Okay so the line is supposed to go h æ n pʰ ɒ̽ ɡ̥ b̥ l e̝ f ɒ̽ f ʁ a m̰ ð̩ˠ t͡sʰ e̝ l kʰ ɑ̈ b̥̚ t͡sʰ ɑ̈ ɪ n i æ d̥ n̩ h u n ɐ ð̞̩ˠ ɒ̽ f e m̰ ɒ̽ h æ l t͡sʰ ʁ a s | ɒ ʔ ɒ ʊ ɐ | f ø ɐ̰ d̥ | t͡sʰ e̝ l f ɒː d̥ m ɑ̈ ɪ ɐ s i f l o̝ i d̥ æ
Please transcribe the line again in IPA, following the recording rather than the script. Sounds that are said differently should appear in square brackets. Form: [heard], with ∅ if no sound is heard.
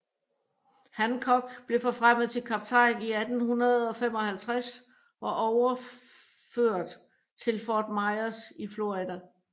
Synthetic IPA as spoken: h æ n [kʰ] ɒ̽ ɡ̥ b̥ l e̝ f ɒ̽ f ʁ a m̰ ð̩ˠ t͡sʰ e̝ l kʰ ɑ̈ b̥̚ t͡sʰ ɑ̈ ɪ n i æ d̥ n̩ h u n ɐ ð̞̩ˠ ɒ̽ f e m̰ ɒ̽ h æ l t͡sʰ ʁ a s | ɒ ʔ ɒ ʊ ɐ | f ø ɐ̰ d̥ | t͡sʰ e̝ l f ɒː d̥ m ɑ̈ ɪ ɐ s i f l o̝ i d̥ æ